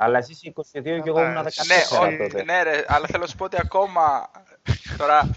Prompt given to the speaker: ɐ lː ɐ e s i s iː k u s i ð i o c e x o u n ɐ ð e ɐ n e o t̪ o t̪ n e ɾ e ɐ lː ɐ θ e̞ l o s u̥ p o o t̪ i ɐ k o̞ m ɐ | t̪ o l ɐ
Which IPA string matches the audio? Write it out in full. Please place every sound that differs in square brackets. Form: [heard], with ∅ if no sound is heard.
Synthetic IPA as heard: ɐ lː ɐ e s i s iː k [o] s i ð i o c e [ɣ] o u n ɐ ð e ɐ n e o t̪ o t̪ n e ɾ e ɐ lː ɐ θ e̞ l o s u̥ p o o t̪ i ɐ k o̞ m ɐ | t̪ o [ɾ] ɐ